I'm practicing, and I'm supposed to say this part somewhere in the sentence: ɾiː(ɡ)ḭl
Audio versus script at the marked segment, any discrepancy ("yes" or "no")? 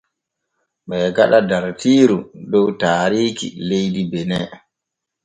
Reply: yes